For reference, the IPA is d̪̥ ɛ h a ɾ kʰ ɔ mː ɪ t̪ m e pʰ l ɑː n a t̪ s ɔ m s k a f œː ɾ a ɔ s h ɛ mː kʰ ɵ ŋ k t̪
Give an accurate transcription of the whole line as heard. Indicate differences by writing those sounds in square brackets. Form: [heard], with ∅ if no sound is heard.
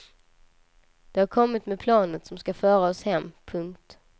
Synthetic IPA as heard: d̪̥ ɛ h a ɾ kʰ ɔ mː ɪ t̪ m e pʰ l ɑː n [ə] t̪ s ɔ m s k a f œː ɾ a ɔ s h ɛ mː [pʰ] ɵ ŋ k t̪